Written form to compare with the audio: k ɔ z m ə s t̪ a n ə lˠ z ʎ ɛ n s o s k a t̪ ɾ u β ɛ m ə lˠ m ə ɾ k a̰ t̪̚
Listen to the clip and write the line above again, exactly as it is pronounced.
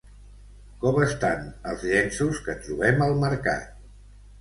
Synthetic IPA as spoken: k ɔ m ə s t̪ a n ə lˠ z ʎ ɛ n s u s k ə t̪ ɾ u β ɛ m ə lˠ m ə ɾ k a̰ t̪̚